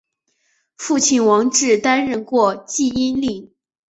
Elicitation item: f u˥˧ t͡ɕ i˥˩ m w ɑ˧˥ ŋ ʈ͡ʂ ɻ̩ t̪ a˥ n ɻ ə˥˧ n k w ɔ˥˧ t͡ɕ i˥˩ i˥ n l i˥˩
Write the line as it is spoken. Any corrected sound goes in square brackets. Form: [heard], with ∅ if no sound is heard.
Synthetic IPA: f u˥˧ [t͡ɕʰ] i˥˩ [n] w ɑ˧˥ ŋ ʈ͡ʂ ɻ̩ t̪ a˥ n ɻ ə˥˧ n k w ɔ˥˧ t͡ɕ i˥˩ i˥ n l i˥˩